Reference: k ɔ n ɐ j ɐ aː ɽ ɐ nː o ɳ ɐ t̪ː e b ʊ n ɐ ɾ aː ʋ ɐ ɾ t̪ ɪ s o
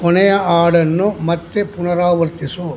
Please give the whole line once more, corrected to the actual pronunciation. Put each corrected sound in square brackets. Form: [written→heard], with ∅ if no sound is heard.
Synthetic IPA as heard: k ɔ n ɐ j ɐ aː ɽ ɐ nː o [ɳ→m] ɐ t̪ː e [b→p] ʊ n ɐ ɾ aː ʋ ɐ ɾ t̪ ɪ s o